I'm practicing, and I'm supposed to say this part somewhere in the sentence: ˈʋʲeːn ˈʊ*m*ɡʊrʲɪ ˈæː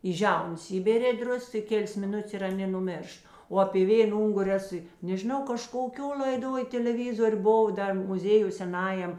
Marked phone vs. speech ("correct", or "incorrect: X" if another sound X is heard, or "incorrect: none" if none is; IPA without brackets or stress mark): incorrect: ŋ